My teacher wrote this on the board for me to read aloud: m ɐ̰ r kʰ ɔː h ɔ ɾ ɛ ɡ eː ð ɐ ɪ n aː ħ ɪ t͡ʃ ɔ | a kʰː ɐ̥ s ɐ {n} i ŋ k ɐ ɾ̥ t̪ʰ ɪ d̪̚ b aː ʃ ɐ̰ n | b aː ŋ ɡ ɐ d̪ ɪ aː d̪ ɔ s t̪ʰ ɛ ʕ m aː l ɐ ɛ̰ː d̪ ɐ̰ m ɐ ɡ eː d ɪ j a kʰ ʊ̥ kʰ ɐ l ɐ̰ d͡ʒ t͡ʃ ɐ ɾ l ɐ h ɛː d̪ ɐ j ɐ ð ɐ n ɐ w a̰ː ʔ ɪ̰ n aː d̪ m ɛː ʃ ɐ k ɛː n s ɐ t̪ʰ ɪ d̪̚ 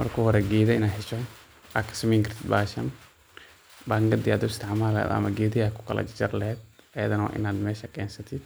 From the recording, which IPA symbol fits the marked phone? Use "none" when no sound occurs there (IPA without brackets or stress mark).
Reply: m